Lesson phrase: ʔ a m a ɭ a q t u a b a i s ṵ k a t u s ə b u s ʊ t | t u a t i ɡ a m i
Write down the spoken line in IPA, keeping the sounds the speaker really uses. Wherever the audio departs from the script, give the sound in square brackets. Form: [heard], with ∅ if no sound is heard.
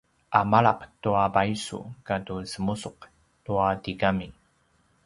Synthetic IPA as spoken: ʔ a m a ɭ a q t u a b a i s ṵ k a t u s ə [m] u s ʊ [q] | t u a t i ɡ a m i